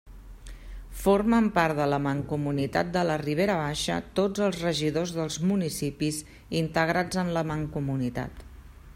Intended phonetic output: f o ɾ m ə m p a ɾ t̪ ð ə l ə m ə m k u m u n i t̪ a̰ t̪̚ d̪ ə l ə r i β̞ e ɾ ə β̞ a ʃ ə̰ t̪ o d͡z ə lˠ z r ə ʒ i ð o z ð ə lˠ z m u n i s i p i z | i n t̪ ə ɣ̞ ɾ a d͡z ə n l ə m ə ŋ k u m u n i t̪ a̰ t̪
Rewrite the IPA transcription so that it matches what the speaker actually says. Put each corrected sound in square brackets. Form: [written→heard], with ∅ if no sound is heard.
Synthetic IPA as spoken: f o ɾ m ə m p a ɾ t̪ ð ə l ə m ə [m→ŋ] k u m u n i t̪ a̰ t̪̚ d̪ ə l ə r i β̞ e ɾ ə β̞ a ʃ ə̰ t̪ o d͡z ə lˠ z r ə ʒ i ð o z ð ə lˠ z m u n i s i p i z | i n t̪ ə ɣ̞ ɾ a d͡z ə n l ə m ə ŋ k u m u n i t̪ a̰ t̪